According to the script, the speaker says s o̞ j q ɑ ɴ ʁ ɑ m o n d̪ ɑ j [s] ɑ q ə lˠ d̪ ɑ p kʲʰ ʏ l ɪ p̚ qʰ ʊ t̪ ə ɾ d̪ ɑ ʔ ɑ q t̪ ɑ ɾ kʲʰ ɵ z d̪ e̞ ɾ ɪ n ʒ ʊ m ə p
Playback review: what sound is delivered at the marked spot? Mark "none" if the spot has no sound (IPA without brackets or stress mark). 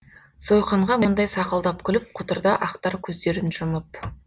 s